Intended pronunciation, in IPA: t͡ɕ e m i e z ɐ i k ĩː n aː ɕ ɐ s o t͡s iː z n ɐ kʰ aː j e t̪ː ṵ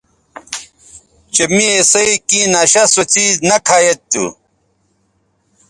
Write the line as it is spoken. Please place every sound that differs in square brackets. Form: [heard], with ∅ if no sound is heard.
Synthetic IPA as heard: t͡ɕ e m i e [s] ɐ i k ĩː n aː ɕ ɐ s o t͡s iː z n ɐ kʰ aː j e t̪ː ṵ